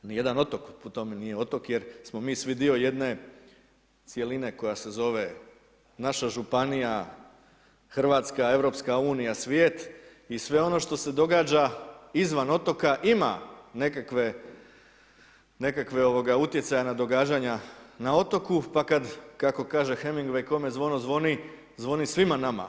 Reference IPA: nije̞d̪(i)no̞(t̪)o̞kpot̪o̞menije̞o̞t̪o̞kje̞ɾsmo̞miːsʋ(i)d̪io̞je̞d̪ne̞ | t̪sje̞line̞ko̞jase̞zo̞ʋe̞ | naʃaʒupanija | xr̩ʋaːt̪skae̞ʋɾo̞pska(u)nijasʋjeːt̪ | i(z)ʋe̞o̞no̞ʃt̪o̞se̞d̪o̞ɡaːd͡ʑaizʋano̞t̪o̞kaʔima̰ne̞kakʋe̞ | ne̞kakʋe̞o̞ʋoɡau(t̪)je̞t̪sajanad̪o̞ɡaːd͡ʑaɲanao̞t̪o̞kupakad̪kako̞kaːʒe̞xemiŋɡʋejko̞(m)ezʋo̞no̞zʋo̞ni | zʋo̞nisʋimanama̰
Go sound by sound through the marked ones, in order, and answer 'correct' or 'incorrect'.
incorrect, correct, correct, incorrect, incorrect, correct, correct

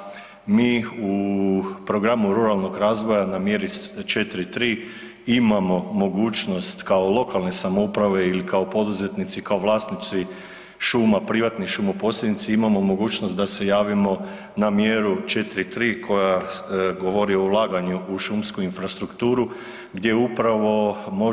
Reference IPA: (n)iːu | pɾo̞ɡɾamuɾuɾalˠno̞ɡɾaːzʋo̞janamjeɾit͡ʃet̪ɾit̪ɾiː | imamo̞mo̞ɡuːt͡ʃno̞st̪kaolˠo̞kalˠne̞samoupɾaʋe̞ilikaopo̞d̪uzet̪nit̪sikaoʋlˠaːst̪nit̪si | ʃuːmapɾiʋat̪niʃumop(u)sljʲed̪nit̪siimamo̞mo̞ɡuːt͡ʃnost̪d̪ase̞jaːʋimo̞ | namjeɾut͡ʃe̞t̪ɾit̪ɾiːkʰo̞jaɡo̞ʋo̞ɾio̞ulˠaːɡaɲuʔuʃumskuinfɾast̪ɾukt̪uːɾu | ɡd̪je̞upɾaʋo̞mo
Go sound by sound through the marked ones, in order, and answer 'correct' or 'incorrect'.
incorrect, incorrect

